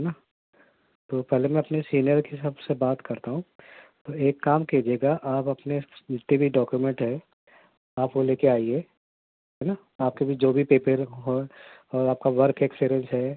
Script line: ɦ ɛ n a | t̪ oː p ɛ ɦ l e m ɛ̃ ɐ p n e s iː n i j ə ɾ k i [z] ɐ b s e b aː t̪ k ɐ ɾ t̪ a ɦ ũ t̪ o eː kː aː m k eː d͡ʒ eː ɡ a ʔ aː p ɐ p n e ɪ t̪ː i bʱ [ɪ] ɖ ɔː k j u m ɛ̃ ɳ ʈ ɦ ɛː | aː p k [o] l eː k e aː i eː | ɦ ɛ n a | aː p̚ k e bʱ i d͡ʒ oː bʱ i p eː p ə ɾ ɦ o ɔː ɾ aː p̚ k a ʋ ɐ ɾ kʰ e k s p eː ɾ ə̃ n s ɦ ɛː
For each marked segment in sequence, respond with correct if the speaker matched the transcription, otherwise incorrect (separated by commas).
incorrect, incorrect, correct